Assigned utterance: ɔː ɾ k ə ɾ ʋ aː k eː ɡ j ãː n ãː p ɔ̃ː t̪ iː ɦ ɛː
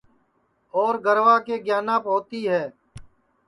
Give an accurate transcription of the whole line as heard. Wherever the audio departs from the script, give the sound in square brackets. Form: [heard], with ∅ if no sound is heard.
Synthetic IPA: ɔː ɾ [ɡ] ə ɾ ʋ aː k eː ɡ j [aː] n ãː p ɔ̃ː t̪ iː ɦ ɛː